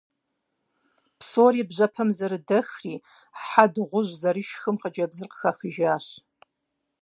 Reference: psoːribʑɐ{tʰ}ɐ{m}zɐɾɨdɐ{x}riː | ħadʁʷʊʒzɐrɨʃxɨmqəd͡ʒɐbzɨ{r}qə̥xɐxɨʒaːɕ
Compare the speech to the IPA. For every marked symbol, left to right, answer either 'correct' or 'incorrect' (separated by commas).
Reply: incorrect, correct, correct, correct